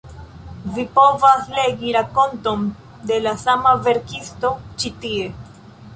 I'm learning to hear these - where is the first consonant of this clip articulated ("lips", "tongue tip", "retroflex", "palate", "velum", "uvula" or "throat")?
lips